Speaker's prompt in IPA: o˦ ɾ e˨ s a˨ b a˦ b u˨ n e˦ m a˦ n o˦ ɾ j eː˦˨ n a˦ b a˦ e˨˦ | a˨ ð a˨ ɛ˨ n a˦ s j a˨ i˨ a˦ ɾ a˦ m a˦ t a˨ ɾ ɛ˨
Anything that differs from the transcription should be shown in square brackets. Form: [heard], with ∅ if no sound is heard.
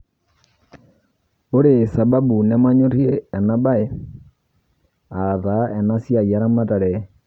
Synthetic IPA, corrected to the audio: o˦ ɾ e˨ s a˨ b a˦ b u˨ n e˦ m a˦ [ɲ] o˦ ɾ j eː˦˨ n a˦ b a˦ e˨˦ | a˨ ð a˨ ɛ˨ n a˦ s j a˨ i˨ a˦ ɾ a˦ m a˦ t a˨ ɾ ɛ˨